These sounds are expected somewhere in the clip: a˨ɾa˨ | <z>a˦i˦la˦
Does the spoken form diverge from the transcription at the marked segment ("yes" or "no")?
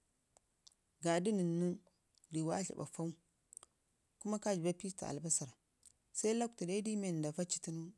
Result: yes